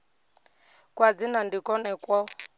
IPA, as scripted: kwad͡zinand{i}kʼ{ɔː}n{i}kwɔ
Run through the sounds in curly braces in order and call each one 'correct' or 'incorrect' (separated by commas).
correct, incorrect, incorrect